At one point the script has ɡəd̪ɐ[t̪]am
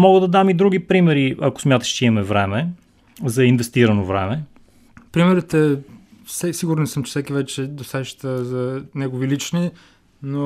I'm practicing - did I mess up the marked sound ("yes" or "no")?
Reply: yes